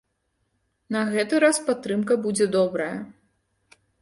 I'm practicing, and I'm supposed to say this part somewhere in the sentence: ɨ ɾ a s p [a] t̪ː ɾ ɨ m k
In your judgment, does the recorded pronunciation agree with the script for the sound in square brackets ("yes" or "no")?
yes